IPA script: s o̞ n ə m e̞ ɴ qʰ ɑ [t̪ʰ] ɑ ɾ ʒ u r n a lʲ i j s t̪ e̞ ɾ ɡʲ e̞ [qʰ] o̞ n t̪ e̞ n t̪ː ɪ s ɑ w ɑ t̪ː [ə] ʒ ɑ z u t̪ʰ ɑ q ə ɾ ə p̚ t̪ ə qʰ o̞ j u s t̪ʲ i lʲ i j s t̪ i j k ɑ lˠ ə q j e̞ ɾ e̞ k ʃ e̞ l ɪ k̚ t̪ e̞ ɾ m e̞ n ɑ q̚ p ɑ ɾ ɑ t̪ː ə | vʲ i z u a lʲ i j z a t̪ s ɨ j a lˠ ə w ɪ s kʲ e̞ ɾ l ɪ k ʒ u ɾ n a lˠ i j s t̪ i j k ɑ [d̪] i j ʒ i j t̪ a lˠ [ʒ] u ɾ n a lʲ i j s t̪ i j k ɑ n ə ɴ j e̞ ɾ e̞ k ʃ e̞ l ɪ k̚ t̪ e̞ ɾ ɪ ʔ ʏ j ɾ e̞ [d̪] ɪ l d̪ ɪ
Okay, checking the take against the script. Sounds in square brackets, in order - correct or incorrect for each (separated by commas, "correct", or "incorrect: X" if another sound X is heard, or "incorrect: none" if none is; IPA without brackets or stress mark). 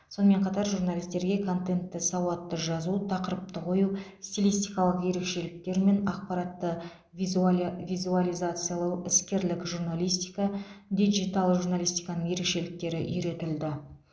incorrect: t̪, incorrect: kʰ, correct, correct, correct, incorrect: t̪